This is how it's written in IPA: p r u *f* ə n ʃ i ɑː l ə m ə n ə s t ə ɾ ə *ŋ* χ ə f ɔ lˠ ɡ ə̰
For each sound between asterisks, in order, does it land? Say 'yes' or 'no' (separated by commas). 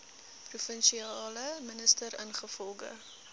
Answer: yes, no